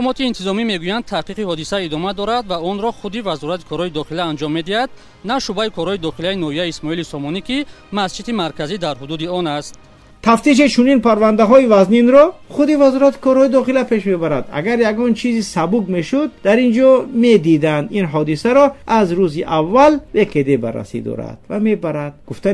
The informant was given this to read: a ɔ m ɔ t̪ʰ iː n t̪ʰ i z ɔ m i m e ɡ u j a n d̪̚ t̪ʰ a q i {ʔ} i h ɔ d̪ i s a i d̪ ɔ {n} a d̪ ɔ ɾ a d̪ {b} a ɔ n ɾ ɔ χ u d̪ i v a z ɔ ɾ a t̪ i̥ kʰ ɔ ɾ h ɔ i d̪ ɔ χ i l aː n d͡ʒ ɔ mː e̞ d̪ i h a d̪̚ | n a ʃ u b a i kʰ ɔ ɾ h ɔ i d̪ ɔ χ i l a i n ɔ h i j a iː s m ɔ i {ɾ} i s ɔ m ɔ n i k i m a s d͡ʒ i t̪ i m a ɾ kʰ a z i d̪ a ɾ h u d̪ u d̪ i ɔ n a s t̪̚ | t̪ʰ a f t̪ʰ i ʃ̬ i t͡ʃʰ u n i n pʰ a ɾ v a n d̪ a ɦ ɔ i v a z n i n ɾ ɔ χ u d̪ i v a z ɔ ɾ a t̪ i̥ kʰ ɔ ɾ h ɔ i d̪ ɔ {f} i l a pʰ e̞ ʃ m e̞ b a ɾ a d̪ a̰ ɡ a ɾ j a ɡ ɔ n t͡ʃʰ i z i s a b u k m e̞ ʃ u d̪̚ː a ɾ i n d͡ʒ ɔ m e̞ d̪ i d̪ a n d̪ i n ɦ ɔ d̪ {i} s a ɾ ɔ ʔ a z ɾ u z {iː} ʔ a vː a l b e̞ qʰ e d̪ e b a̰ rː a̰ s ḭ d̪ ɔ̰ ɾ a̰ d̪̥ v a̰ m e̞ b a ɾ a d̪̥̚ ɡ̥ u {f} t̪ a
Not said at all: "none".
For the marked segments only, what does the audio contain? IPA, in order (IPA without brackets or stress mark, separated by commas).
q, m, v, l, χ, i, i, f